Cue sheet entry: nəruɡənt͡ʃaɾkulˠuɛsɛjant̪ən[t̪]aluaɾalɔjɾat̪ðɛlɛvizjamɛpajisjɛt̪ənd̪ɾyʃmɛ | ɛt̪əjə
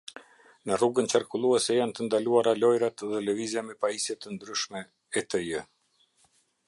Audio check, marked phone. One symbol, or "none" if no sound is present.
d̪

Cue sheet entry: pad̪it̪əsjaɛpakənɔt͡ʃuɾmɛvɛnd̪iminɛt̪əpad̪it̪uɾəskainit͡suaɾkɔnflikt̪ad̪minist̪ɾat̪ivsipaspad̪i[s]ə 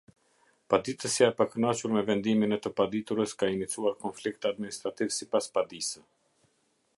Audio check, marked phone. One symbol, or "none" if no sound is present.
s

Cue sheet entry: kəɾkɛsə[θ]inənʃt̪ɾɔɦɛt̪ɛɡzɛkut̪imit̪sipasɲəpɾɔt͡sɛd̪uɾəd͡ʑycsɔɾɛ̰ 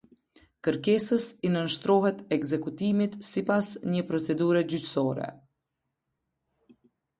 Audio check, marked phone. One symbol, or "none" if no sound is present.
s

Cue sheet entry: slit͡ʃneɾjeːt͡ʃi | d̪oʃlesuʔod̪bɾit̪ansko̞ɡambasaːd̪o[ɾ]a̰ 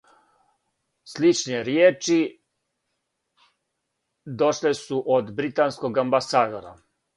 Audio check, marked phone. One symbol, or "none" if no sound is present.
ɾ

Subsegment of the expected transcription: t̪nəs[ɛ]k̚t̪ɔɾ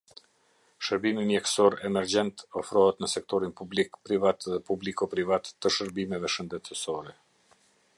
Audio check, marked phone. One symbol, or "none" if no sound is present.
ɛ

